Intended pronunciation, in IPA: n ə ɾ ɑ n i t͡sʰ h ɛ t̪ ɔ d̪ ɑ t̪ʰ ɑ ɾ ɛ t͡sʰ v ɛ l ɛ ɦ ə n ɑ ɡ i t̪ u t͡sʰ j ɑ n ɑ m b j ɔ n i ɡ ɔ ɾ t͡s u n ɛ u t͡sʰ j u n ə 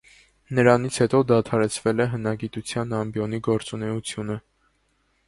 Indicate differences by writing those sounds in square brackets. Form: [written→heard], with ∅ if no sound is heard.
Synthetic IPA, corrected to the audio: n ə ɾ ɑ n i t͡sʰ h ɛ t̪ ɔ d̪ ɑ t̪ʰ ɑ ɾ ɛ t͡sʰ v ɛ l ɛ ɦ ə n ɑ ɡ i t̪ u t͡sʰ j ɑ n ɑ m b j ɔ n i ɡ ɔ ɾ t͡s u n ɛ u t͡sʰ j u n ə

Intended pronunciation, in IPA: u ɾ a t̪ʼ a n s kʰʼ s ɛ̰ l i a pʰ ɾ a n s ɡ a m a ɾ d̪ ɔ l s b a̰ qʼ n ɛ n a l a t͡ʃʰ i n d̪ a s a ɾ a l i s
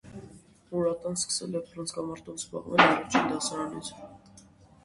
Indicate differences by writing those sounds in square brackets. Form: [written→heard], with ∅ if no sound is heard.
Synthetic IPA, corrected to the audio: u ɾ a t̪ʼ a n s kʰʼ s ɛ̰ l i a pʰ ɾ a n s ɡ a m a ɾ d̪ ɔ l s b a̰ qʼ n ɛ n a [l→ɾ] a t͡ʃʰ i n d̪ a s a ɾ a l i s

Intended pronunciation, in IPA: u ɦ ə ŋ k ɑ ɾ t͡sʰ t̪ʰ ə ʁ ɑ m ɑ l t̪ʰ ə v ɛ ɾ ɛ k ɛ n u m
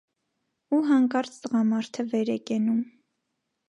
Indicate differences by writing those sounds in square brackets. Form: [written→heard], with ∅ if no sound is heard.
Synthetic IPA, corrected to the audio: u ɦ [ə→ɑ] ŋ k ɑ ɾ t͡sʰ [t̪ʰ→t̪] ə ʁ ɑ m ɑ [l→ɾ] t̪ʰ ə v ɛ ɾ ɛ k ɛ n u m

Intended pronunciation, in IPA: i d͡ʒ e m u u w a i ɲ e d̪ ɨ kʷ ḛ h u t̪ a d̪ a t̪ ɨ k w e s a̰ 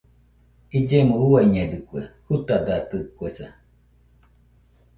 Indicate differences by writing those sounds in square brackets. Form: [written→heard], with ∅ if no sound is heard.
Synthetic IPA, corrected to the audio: i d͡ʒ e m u u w a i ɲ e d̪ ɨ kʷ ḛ h u t̪ a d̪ a t̪ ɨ k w e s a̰

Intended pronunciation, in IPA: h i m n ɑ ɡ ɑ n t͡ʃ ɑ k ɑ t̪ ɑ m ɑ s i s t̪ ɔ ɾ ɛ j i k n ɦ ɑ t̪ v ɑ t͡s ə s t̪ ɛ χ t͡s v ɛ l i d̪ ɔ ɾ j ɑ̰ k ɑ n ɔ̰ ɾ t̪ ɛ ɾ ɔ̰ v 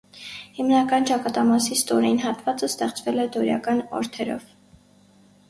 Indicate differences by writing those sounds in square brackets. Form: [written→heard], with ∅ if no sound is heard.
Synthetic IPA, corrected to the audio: h i m n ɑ [ɡ→k] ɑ n t͡ʃ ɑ k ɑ t̪ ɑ m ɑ s i s t̪ ɔ ɾ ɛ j i [k→∅] n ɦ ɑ t̪ v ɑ t͡s ə s t̪ ɛ χ t͡s v ɛ l [i→ɛ] d̪ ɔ ɾ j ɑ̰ k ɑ n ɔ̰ ɾ [t̪→t̪ʰ] ɛ ɾ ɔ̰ v

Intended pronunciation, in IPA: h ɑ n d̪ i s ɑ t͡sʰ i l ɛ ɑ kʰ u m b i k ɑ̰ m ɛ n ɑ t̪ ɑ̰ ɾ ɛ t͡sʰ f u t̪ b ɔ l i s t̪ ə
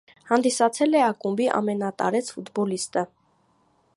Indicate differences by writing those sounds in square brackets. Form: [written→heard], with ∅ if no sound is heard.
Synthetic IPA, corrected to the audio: h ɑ n d̪ i s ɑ t͡sʰ [i→ɛ] l ɛ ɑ [kʰ→k] u m b i [k→ʔ] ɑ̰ m ɛ n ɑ t̪ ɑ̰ ɾ ɛ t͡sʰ f u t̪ b ɔ l i s t̪ ə

